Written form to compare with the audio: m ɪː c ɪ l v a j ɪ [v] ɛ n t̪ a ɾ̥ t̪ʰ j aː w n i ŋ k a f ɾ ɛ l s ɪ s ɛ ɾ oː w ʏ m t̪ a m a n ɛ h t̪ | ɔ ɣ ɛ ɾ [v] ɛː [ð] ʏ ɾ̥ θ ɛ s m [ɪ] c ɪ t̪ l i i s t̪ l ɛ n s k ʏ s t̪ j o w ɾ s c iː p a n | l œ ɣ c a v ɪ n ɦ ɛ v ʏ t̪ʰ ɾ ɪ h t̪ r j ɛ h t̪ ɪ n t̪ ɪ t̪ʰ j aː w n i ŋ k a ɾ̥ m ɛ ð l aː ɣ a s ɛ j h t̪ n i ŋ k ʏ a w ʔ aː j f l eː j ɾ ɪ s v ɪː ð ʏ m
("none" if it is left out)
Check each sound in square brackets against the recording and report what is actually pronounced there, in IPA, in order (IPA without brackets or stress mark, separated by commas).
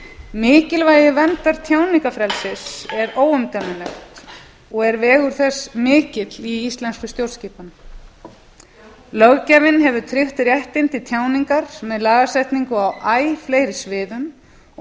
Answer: v, v, ɣ, ɪː